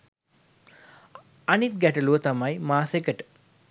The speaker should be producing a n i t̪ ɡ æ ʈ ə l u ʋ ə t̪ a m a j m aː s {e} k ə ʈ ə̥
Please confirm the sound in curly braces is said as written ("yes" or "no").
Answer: yes